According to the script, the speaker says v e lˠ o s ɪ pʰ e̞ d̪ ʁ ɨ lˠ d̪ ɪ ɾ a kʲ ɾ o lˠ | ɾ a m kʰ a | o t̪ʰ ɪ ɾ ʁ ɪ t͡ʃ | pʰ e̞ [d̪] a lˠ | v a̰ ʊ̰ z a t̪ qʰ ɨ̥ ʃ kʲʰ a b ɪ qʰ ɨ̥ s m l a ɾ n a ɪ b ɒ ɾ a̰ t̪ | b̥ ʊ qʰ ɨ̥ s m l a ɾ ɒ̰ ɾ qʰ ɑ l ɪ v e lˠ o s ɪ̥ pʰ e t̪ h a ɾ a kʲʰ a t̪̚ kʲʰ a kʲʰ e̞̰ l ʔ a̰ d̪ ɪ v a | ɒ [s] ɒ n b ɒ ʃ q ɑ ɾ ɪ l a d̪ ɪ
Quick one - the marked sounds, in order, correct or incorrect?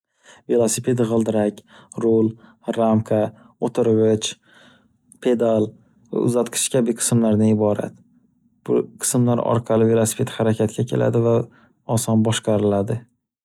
correct, correct

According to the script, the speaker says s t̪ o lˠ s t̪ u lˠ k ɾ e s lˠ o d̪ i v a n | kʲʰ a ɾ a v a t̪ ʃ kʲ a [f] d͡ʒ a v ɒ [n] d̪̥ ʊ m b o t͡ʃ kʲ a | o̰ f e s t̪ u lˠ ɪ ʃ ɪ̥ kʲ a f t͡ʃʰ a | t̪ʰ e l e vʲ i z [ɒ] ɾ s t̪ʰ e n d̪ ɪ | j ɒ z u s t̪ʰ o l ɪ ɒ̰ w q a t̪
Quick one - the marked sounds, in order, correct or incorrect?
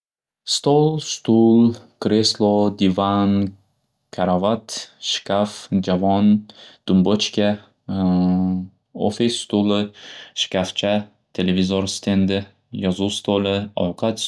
correct, correct, incorrect: o

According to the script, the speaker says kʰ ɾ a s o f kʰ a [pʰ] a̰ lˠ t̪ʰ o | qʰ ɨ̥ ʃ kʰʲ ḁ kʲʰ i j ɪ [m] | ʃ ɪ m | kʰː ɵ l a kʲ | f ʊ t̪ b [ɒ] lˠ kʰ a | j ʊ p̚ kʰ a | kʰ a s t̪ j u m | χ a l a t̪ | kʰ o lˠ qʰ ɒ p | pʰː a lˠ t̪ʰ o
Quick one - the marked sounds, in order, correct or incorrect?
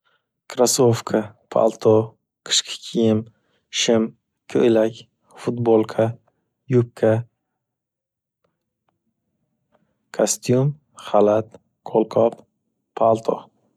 correct, correct, incorrect: o

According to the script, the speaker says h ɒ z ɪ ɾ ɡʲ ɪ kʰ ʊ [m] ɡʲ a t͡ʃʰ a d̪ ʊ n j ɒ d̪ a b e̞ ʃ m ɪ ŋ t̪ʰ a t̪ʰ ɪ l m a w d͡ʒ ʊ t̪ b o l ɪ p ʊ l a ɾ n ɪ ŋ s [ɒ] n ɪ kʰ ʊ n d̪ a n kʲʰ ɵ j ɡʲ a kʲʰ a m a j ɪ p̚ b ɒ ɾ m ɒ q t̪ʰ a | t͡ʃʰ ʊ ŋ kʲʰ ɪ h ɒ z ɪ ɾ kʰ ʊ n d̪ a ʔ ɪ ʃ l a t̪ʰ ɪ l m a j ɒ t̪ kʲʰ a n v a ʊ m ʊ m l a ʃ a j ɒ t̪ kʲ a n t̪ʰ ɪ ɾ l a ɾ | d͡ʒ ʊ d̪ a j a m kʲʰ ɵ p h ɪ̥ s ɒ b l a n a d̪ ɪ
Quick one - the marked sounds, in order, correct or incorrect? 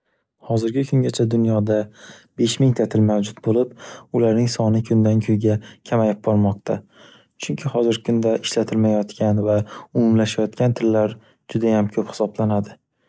incorrect: ŋ, correct

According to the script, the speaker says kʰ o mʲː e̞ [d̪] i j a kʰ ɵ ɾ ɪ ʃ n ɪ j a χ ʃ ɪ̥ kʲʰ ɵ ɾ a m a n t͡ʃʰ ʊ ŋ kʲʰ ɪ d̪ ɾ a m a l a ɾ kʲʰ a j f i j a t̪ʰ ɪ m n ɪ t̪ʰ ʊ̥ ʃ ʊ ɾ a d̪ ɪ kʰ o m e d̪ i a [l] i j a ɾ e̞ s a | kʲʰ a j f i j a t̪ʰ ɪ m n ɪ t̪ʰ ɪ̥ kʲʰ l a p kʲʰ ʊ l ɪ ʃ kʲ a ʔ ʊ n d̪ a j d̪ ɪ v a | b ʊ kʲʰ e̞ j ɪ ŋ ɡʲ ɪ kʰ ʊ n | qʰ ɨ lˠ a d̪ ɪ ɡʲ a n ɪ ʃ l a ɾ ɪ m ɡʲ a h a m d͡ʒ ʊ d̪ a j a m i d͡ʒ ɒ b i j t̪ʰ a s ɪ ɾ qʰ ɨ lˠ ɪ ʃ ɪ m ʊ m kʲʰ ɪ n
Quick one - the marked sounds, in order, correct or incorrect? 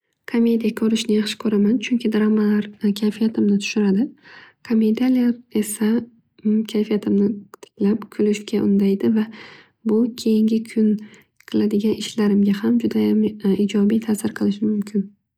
correct, correct

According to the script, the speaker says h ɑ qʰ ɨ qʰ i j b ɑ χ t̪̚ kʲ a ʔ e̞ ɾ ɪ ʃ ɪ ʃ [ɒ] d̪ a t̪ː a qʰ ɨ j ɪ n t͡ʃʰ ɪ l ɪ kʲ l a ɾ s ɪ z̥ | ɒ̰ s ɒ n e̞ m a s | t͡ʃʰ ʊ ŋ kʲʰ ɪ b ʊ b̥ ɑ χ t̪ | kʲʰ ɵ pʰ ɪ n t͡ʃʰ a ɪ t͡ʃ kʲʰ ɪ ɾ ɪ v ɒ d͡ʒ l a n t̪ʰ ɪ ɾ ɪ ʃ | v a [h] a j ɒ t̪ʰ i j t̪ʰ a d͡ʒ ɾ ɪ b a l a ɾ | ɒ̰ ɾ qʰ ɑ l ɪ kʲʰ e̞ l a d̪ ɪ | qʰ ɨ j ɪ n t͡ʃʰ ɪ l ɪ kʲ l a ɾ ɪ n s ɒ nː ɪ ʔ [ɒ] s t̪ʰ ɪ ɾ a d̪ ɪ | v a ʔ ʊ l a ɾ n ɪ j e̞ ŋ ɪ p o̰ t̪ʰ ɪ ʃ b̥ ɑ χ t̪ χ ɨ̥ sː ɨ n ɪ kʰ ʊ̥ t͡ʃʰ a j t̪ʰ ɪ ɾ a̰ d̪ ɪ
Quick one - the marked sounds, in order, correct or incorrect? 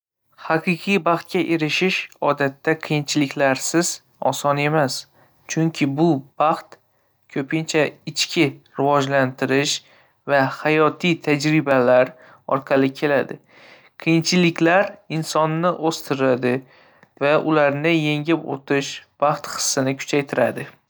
correct, correct, incorrect: o

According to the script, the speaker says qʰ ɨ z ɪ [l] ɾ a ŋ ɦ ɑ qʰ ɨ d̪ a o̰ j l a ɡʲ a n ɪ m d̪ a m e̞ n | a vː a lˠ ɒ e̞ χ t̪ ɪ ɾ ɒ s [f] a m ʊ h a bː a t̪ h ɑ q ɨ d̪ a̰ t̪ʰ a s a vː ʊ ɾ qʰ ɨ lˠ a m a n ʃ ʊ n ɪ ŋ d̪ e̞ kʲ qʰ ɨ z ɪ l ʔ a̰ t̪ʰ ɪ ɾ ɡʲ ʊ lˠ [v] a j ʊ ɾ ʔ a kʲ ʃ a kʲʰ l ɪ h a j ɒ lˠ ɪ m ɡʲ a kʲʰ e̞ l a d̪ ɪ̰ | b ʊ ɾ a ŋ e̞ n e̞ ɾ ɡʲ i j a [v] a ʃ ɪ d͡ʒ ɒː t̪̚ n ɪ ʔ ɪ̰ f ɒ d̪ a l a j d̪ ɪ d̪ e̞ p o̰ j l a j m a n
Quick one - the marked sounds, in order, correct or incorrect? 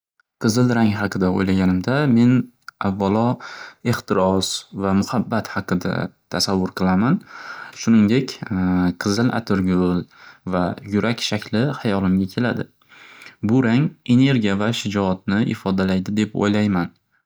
correct, incorrect: v, correct, correct

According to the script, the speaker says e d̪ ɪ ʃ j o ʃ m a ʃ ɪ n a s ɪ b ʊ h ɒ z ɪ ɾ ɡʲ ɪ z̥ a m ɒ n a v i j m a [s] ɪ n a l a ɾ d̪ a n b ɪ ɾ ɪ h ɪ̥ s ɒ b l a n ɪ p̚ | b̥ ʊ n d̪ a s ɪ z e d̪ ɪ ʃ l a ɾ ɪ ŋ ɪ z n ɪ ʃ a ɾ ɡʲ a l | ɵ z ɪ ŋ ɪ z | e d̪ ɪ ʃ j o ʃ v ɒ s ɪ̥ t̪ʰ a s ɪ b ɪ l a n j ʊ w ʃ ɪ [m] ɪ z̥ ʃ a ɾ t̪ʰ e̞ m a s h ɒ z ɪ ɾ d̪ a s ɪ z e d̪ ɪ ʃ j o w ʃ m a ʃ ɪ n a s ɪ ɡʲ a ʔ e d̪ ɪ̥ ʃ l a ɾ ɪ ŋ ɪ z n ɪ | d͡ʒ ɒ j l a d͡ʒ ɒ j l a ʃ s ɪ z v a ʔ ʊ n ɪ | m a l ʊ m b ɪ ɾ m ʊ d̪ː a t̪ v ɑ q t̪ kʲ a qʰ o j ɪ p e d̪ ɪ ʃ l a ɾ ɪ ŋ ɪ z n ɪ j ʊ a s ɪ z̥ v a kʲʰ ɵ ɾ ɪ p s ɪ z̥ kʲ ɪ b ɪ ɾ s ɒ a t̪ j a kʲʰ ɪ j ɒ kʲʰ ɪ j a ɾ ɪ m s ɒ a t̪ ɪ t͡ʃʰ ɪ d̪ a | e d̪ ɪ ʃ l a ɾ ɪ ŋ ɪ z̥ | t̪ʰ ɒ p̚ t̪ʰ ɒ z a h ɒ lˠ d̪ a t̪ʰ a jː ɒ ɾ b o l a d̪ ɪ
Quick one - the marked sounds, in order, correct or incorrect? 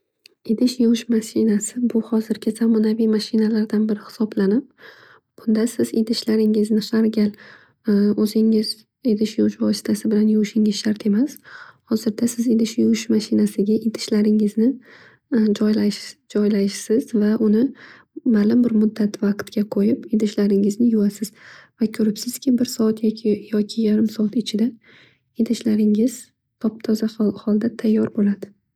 incorrect: ʃ, incorrect: ŋ

